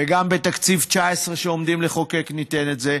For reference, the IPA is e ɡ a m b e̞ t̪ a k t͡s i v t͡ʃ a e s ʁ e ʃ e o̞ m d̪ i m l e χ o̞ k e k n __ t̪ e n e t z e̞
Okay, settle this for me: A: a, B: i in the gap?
B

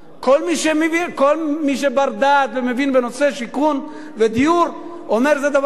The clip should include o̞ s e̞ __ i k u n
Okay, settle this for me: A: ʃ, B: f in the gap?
A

